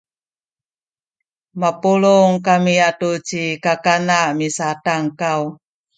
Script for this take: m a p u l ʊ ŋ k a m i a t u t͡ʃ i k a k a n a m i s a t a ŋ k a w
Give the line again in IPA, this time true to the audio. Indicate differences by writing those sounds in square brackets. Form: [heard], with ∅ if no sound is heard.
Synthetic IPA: m a p u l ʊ ŋ k a m i a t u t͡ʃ i k a k a n a m i s a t a ŋ k a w